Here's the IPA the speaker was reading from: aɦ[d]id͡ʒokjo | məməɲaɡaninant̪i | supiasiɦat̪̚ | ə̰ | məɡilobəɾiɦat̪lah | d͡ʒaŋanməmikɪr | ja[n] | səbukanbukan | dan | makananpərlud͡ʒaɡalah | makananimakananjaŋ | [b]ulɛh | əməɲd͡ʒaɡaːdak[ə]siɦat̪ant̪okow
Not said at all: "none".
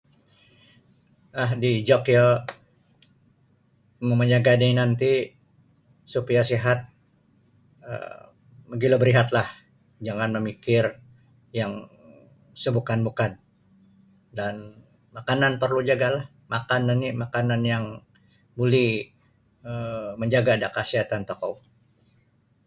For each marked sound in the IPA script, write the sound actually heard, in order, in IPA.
d, ŋ, b, a

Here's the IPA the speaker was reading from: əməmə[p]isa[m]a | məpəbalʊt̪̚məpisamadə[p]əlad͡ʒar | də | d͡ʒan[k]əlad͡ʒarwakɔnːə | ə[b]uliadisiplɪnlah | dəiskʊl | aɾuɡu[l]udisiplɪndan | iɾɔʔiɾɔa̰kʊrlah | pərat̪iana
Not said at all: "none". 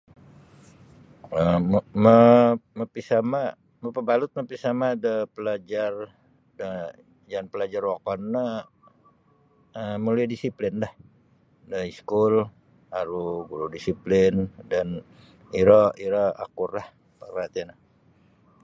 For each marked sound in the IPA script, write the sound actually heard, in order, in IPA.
p, m, p, p, m, ɾ

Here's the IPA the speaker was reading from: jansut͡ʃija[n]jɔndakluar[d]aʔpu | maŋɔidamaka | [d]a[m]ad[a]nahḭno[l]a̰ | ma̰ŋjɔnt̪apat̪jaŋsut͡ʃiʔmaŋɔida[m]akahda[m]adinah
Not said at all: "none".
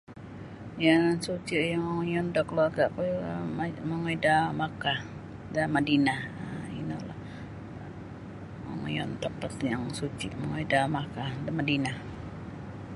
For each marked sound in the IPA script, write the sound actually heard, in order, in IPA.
ŋ, ɡ, d, m, i, l, m, m

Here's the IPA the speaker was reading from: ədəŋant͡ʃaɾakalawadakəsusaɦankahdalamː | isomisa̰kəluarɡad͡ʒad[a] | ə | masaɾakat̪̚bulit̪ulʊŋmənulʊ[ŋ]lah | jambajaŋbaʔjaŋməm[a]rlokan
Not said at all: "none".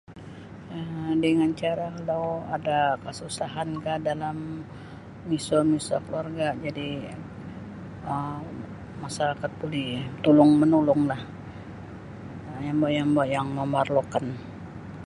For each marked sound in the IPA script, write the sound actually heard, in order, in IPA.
i, ŋ, a

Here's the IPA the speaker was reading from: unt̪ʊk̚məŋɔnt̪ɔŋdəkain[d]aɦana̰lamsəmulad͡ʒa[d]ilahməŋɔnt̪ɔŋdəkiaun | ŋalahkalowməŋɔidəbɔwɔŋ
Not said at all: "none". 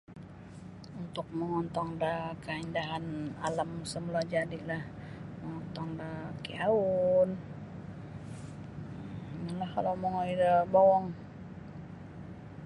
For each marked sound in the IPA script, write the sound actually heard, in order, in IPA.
d, d

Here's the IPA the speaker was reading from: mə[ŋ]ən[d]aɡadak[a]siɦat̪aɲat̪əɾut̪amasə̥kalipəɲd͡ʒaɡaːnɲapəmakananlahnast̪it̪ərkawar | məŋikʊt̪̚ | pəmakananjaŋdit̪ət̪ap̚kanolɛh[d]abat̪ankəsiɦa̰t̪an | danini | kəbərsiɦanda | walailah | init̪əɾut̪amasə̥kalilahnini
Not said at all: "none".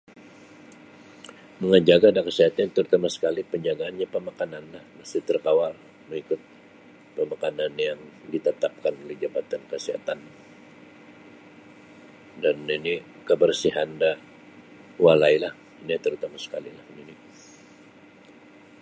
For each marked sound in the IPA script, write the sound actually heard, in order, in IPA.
ŋ, d͡ʒ, ə, d͡ʒ

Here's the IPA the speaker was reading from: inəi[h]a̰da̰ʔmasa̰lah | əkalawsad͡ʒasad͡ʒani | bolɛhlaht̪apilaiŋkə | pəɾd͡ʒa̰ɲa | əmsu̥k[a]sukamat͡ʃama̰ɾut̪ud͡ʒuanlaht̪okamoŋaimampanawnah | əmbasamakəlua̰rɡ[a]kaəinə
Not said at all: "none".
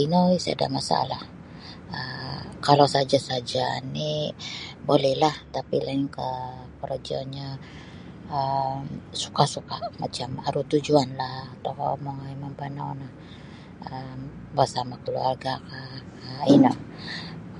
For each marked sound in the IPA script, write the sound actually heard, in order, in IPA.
s, a, a

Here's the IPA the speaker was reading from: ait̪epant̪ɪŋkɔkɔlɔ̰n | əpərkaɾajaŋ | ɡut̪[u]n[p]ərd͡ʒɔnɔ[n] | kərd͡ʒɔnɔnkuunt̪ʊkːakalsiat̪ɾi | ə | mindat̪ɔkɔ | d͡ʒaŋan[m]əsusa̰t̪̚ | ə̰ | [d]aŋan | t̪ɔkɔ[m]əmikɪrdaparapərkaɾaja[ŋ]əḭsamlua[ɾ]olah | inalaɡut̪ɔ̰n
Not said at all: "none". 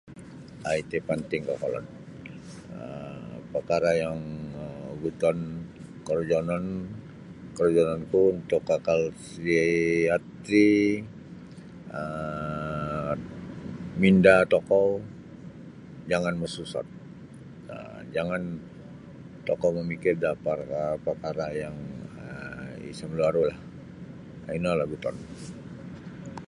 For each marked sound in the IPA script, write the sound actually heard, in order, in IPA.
ɔ, k, n, m, d͡ʒ, m, ŋ, ɾ

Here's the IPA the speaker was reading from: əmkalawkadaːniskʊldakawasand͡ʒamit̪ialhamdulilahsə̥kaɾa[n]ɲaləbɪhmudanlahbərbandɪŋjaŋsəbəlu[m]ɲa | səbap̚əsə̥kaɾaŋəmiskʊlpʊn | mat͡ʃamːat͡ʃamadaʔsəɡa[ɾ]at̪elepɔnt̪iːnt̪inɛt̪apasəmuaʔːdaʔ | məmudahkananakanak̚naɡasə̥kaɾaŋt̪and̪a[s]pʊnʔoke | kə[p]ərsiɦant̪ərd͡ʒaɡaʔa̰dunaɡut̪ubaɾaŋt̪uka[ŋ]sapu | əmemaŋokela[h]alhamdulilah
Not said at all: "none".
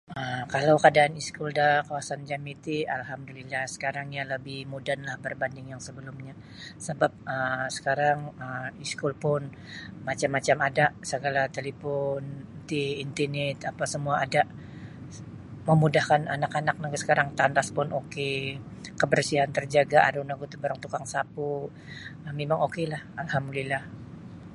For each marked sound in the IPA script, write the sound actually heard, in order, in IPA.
ŋ, m, l, s, b, ŋ, h

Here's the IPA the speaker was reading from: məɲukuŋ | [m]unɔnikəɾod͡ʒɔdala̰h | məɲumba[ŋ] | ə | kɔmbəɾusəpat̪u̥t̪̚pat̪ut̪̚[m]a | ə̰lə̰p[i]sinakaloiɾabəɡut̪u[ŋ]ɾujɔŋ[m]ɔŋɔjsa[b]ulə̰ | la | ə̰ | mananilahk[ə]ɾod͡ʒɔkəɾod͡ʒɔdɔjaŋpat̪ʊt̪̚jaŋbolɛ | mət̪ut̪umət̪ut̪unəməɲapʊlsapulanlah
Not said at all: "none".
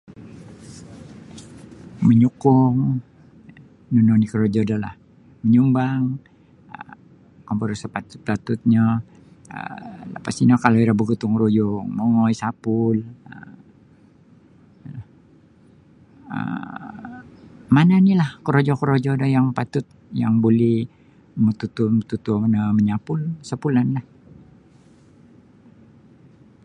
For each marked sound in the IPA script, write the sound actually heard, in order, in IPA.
n, ŋ, ɲ, a, ŋ, m, p, ə

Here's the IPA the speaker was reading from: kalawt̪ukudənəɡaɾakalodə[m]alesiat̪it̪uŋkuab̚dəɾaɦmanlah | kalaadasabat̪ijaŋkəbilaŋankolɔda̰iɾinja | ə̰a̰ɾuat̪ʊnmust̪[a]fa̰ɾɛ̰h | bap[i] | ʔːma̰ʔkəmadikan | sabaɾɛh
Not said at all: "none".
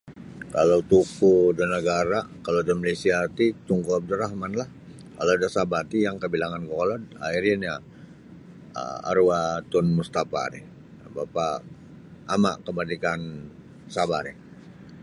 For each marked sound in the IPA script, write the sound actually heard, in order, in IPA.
m, a, a

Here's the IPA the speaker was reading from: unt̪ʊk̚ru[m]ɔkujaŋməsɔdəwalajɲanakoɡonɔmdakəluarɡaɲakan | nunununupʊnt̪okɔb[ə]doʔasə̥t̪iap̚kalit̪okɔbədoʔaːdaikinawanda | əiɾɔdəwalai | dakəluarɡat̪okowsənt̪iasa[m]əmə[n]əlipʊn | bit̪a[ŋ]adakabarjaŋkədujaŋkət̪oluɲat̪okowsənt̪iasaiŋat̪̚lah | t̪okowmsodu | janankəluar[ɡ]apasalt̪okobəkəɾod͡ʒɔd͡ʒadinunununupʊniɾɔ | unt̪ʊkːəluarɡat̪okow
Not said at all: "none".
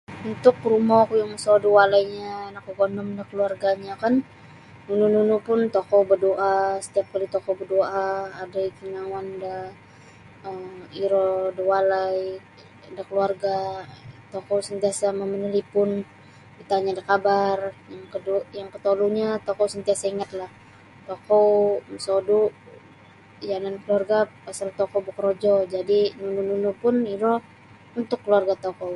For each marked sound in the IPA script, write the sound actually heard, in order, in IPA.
m, ə, m, n, ɲ, ɡ

